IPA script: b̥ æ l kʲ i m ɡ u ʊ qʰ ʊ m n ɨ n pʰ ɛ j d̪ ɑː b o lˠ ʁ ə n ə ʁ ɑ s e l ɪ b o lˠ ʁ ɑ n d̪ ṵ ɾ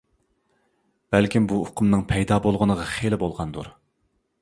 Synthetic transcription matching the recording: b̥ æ l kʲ i m b u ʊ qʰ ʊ m n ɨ ŋ pʰ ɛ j d̪ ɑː b o lˠ ʁ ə n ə ʁ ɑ χ e l ɪ b o lˠ ʁ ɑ n d̪ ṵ ɾ